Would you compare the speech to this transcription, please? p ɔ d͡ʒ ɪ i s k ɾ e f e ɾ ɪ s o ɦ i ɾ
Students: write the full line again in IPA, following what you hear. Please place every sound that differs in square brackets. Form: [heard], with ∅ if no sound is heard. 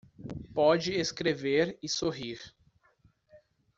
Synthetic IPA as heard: p ɔ d͡ʒ ɪ [e] s k ɾ e [v] e ɾ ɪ s o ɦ i ɾ